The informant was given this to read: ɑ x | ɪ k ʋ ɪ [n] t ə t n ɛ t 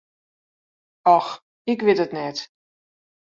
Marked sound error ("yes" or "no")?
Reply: yes